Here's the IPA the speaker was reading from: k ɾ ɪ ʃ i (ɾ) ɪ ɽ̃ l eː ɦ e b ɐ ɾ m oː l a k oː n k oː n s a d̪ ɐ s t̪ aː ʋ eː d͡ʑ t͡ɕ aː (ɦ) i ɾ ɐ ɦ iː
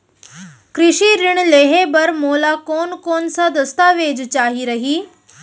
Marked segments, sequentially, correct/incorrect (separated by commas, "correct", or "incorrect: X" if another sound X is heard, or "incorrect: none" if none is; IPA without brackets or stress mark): correct, correct